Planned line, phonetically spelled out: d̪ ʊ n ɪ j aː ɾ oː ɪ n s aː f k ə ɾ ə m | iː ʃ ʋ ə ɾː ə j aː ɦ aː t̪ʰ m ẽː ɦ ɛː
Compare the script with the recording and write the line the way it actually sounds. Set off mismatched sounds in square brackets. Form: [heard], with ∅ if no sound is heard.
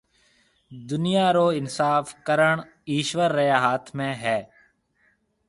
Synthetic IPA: d̪ ʊ n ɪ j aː ɾ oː ɪ n s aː f k ə ɾ ə [ɳ] | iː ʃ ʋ ə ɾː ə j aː ɦ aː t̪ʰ m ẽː ɦ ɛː